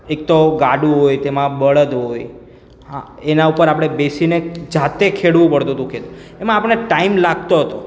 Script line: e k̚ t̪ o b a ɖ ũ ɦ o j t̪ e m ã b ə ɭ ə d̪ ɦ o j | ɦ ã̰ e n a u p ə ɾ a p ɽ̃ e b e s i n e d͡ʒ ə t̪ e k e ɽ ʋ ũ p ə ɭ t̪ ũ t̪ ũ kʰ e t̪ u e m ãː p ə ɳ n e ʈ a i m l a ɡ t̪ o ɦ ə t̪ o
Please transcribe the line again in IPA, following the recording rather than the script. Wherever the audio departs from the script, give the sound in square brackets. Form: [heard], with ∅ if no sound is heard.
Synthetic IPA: e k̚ t̪ o [ɡ] a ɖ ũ ɦ o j t̪ e m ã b ə ɭ ə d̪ ɦ o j | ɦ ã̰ e n a u p ə ɾ a p ɽ̃ e b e s i n e d͡ʒ [a] t̪ e [kʰ] e ɽ ʋ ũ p ə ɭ t̪ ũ t̪ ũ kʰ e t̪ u e m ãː p ə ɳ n e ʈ a i m l a ɡ t̪ o ɦ ə t̪ o